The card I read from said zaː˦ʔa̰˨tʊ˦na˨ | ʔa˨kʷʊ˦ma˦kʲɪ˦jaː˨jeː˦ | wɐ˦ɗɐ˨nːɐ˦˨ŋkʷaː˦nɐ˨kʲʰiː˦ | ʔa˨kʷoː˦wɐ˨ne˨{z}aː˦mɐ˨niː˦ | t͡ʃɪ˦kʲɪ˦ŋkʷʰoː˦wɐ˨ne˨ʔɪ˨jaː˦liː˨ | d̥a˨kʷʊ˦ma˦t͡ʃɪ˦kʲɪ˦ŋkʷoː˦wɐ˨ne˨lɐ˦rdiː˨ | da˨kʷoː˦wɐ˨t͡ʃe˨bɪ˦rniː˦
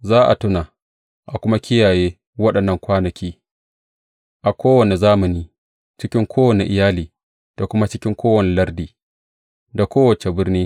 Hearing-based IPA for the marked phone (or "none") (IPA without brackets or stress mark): z